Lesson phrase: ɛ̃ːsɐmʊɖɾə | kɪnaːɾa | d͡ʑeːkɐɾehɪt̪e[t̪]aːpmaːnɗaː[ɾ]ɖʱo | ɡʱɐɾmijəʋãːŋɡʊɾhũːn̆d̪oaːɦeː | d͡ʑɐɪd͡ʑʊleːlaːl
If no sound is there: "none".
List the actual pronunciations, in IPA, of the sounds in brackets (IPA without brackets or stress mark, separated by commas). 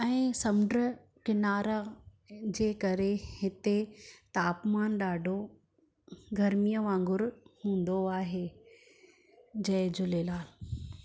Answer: t̪, none